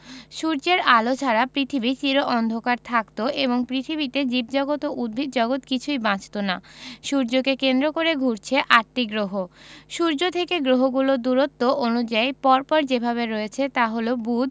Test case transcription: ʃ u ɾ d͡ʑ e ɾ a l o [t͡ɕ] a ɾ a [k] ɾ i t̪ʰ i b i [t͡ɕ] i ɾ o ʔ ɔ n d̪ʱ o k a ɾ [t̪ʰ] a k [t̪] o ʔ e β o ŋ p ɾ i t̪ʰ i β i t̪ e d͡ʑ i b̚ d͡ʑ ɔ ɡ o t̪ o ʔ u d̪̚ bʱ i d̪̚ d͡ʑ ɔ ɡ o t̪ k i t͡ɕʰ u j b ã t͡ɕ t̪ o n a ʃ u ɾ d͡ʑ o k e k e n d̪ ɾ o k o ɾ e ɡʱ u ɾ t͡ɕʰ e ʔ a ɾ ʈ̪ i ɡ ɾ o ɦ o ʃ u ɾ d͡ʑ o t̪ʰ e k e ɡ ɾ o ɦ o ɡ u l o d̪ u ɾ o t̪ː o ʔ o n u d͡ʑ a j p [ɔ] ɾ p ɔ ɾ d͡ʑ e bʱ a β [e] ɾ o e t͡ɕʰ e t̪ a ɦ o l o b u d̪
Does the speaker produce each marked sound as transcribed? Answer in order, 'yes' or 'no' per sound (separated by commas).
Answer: no, no, yes, yes, yes, yes, yes